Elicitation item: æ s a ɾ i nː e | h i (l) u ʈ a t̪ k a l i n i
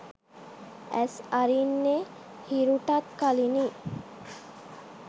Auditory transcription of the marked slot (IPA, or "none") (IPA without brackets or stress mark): ɾ